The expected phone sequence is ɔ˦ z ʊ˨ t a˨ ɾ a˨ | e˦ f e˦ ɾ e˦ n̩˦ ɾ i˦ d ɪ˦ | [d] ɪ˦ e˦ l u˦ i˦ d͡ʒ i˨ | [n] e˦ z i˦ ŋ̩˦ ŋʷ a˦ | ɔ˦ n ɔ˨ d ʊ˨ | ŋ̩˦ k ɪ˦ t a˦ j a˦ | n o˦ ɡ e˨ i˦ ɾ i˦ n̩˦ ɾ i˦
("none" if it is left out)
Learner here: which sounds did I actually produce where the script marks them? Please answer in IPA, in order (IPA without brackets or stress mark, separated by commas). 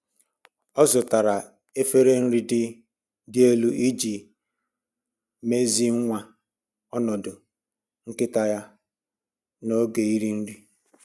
d, m